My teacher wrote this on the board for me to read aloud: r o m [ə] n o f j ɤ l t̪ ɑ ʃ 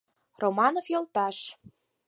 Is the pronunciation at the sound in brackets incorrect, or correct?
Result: incorrect